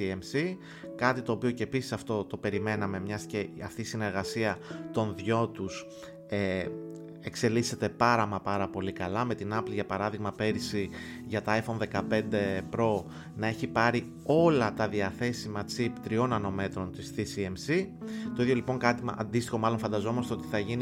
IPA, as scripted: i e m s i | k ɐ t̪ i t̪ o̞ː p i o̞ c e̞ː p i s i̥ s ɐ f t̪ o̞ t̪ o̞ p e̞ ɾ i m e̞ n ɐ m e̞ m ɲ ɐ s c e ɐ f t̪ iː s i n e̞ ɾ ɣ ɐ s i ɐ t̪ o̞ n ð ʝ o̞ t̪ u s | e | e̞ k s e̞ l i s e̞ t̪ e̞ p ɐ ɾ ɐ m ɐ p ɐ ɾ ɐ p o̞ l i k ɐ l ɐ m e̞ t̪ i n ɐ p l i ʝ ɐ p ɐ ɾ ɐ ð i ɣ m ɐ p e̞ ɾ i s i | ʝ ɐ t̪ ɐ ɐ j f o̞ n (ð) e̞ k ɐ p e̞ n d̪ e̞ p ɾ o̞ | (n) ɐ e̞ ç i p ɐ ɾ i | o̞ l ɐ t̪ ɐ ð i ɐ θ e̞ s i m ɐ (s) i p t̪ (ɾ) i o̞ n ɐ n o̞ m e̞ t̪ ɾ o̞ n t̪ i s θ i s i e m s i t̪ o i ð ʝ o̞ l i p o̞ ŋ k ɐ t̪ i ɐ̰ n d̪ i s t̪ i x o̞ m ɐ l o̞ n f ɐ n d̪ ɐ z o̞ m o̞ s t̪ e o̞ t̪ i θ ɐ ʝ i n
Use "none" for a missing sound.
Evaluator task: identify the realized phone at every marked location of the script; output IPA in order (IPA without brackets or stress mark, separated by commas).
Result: ð, n, t͡s, ɾ